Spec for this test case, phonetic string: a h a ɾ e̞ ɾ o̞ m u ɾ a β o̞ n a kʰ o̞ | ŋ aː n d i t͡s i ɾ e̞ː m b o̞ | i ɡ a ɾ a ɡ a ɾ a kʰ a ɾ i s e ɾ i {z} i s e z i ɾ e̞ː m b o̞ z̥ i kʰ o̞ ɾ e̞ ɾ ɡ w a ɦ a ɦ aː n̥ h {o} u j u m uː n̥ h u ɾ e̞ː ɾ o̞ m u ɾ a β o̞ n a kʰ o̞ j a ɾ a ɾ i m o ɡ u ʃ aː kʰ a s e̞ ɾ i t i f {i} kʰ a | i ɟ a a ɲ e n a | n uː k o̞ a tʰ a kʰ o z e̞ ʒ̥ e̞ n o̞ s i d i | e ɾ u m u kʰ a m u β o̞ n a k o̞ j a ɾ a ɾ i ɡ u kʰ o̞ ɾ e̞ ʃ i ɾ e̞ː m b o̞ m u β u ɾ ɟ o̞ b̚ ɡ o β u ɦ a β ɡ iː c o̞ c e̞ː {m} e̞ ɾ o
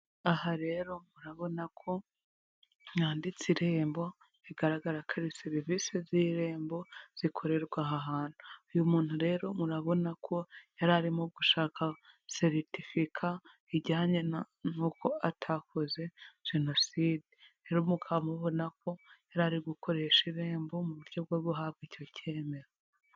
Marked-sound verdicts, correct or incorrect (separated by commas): incorrect, incorrect, correct, correct